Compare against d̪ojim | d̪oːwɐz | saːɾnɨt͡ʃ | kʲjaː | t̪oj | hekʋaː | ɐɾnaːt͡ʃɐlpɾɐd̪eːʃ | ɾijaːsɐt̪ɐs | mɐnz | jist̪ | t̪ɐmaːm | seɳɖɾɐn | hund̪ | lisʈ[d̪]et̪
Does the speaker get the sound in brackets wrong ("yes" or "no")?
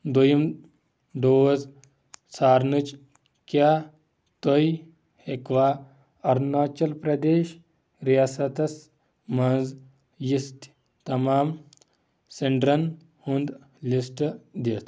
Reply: no